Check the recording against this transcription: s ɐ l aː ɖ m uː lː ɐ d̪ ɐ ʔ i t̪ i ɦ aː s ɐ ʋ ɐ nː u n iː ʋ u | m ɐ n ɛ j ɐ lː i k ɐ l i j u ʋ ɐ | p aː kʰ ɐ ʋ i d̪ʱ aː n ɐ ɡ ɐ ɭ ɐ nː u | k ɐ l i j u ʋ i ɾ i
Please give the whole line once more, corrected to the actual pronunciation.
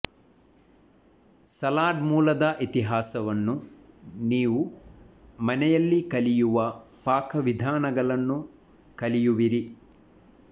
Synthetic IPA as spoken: s ɐ l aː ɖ m uː l ɐ d̪ ɐ ʔ i t̪ i ɦ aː s ɐ ʋ ɐ nː u n iː ʋ u | m ɐ n ɛ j ɐ lː i k ɐ l i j u ʋ ɐ | p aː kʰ ɐ ʋ i d̪ʱ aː n ɐ ɡ ɐ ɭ ɐ nː u | k ɐ l i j u ʋ i ɾ i